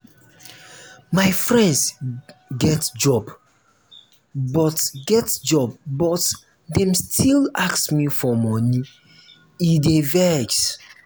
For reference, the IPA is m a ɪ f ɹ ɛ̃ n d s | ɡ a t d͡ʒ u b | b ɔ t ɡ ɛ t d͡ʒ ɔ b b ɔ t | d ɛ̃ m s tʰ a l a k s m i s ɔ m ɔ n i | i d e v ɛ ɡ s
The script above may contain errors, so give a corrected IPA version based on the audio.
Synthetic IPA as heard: m a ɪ f ɹ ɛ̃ n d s | ɡ ɛ t d͡ʒ ɔ b | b ɔ t ɡ ɛ t d͡ʒ ɔ b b ɔ t | d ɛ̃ m s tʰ i l a k s m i f ɔ m ɔ n i | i d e v ɛ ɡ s

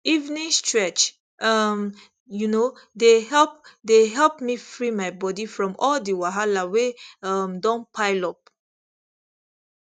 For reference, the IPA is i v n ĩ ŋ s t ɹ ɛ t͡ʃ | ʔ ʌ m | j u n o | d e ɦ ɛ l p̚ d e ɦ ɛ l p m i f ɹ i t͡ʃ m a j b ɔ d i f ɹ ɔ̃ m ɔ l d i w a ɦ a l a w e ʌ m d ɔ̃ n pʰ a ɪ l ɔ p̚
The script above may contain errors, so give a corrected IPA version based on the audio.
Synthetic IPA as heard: i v n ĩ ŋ s t ɹ ɛ t͡ʃ | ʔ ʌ m | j u n o | d e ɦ ɛ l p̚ d e ɦ ɛ l p m i f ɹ i m a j b ɔ d i f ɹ ɔ̃ m ɔ l d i w a ɦ a l a w e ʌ m d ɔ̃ n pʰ a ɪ l ɔ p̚

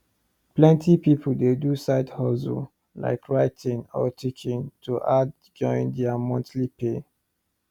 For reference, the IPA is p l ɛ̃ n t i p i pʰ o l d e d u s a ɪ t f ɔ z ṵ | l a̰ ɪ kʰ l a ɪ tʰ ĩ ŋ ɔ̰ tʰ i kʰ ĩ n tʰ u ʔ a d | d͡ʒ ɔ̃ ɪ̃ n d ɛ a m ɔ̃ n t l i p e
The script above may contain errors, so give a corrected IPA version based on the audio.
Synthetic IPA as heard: p l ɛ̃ n t i p i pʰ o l d e d u s a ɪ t h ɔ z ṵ | l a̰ ɪ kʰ ɹ a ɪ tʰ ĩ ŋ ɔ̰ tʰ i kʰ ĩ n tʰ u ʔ a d | d͡ʒ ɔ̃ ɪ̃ n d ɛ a m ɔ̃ n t l i p e

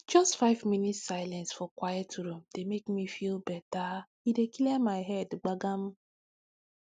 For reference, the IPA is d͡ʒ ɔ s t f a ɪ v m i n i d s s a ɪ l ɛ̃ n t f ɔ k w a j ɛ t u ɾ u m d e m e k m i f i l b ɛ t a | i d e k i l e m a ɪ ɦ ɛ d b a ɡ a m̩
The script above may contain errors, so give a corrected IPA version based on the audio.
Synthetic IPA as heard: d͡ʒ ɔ s t f a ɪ v m i n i t s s a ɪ l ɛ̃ n s f ɔ k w a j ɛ t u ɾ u m d e m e k m i f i l b ɛ t a | i d e k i l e m a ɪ ɦ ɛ d ɡ͡b a ɡ a m̩

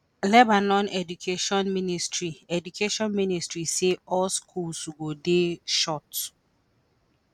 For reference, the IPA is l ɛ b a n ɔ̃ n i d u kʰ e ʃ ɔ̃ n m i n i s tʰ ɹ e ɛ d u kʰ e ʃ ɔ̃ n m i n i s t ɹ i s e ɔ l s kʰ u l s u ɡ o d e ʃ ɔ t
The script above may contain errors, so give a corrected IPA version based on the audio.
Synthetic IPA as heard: l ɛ b a n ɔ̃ n ɛ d u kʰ e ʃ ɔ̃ n m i n i s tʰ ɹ i ɛ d u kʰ e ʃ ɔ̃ n m i n i s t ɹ i s e ɔ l s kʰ u l s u ɡ o d e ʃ ɔ t

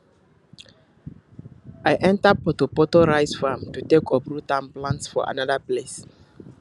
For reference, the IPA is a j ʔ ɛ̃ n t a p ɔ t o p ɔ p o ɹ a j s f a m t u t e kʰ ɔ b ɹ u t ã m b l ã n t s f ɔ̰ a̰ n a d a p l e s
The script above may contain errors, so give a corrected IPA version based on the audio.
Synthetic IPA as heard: a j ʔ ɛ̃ n t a p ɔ t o p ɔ t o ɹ a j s f a m t u t e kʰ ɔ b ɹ u t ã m p l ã n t s f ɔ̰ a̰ n a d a p l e s

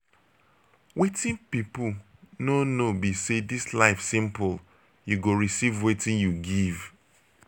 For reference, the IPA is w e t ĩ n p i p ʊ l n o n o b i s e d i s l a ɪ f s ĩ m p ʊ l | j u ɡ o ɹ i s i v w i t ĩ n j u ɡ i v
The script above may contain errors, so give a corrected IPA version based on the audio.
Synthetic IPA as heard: w e t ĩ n p i p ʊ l n o n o b i s e d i s l a ɪ f s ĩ m p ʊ l | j u ɡ o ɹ i s i v w e t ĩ n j u ɡ i v

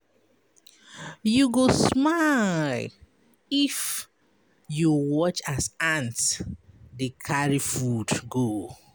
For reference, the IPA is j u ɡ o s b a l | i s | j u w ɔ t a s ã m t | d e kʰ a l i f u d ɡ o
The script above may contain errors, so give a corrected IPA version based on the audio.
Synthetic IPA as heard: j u ɡ o s m a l | i f | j u w ɔ t͡ʃ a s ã n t | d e kʰ a ɹ i f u d ɡ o

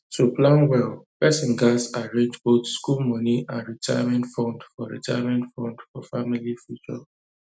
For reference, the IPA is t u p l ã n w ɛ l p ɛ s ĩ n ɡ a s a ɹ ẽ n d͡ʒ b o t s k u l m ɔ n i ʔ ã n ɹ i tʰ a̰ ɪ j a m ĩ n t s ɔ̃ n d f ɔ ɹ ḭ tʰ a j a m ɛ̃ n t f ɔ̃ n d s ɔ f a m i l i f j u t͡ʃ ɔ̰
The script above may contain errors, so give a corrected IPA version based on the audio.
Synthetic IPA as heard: t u p l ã n w ɛ l p ɛ s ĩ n ɡ a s a ɹ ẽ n d͡ʒ b o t s k u l m ɔ n i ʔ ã n ɹ i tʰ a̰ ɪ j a m ɛ̃ n t f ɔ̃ n d f ɔ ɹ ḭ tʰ a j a m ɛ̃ n t f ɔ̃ n d f ɔ f a m i l i f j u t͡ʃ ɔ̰

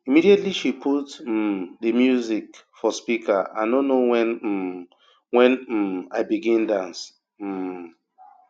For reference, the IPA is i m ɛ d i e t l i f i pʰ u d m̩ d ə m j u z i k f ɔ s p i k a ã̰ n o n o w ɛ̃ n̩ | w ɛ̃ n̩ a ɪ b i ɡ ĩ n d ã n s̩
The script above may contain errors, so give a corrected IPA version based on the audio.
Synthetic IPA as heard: i m i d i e t l i ʃ i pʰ u t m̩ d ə m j u z i k f ɔ s p i k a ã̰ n o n o w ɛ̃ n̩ | w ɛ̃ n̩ a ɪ b i ɡ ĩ n d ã n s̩

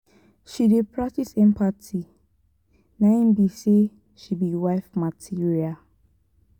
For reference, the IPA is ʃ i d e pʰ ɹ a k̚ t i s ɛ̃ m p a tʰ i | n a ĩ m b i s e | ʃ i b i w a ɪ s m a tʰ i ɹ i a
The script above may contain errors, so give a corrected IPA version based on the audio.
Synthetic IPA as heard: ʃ i d e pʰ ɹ a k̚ t i s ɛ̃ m p a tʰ i | n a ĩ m b i s e | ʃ i b i w a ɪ f m a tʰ i ɹ i a

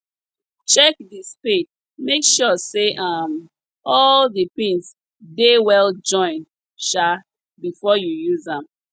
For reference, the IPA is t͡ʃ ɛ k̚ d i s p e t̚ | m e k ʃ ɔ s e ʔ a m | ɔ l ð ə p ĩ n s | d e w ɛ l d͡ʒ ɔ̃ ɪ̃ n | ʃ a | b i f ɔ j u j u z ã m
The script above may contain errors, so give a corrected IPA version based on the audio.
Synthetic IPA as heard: t͡ʃ ɛ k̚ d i s p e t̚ | m e k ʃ ɔ s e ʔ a m | ɔ l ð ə p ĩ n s | d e w ɛ l d͡ʒ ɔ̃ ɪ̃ n | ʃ a | b i f ɔ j u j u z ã m

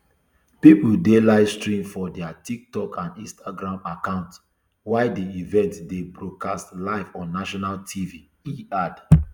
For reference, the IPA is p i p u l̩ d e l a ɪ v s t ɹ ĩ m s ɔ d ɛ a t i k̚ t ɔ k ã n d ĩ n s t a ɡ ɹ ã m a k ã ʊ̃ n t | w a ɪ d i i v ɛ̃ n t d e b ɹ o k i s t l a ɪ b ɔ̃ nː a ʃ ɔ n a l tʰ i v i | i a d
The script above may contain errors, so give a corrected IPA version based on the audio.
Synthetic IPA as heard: p i p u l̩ d e l a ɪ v s t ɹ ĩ m f ɔ d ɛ a t i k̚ t ɔ k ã n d ĩ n s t a ɡ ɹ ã m a k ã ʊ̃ n t | w a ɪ d i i v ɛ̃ n t d e b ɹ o k a s t l a ɪ v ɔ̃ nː a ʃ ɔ n a l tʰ i v i | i a d

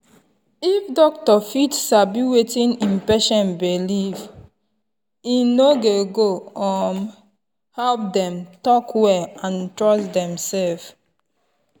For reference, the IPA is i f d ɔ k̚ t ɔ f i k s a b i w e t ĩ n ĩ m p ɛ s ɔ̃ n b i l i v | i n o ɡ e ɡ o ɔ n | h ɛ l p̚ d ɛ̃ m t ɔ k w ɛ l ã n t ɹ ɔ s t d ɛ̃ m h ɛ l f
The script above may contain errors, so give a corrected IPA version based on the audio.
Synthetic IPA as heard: i f d ɔ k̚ t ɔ f i t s a b i w e t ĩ n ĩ m p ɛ ʃ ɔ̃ n b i l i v | i n o ɡ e ɡ o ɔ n | h ɛ l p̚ d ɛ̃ m t ɔ k w ɛ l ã n t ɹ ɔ s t d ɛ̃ m s ɛ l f

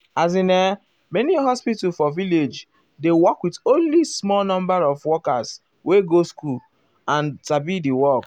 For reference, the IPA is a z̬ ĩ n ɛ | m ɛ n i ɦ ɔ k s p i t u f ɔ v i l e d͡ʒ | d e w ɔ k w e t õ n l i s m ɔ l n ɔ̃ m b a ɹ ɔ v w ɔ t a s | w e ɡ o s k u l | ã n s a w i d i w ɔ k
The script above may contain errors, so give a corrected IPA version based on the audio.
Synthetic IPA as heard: a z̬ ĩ n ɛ | m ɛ n i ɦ ɔ s p i t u f ɔ v i l e d͡ʒ | d e w ɔ k w i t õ n l i s m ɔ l n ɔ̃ m b a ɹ ɔ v w ɔ k a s | w e ɡ o s k u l | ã n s a b i d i w ɔ k

